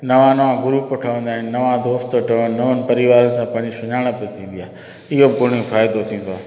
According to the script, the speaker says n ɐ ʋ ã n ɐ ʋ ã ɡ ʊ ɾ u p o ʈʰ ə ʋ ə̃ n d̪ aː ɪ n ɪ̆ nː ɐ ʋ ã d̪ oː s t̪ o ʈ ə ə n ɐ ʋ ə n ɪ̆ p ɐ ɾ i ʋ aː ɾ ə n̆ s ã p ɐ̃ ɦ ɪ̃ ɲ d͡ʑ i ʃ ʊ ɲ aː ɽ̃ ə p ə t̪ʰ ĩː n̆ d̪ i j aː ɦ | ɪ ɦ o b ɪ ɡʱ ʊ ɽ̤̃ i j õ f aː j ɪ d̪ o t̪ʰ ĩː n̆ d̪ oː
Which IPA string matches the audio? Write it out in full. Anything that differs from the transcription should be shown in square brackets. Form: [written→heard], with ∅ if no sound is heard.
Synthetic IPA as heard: n ɐ ʋ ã n ɐ ʋ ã ɡ ʊ ɾ u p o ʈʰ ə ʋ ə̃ n d̪ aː ɪ n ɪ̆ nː ɐ ʋ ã d̪ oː s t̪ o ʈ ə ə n ɐ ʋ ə n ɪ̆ p ɐ ɾ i ʋ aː ɾ ə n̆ s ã p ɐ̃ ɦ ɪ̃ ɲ d͡ʑ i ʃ ʊ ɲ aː ɽ̃ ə p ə t̪ʰ ĩː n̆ d̪ i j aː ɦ | ɪ ɦ o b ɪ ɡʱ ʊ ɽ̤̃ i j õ f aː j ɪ d̪ o t̪ʰ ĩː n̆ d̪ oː